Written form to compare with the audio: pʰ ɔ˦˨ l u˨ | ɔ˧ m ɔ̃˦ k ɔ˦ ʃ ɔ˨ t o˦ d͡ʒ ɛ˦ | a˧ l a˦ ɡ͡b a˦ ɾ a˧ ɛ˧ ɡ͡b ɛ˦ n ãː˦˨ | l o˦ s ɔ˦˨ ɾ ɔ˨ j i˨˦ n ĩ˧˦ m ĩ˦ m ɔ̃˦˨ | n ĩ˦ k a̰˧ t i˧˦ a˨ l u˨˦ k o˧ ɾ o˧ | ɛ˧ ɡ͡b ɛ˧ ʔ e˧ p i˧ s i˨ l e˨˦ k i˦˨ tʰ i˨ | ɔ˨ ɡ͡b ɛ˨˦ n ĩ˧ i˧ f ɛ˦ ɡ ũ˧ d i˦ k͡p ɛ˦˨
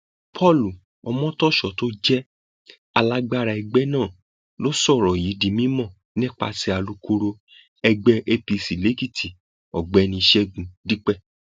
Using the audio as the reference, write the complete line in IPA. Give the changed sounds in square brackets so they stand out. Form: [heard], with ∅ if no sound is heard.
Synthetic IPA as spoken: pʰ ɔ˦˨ l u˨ | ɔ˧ m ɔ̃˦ [t] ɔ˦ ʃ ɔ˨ t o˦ d͡ʒ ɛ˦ | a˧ l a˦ ɡ͡b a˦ ɾ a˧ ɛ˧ ɡ͡b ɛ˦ n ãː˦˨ | l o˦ s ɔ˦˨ ɾ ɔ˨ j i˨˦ [d] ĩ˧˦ m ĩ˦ m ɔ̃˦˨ | n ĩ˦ [k͡p] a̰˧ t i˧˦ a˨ l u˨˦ k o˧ ɾ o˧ | ɛ˧ ɡ͡b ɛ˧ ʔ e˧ p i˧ s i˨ l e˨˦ k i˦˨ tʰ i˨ | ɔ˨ ɡ͡b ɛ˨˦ n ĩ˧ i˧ [ʃ] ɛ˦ ɡ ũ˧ d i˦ k͡p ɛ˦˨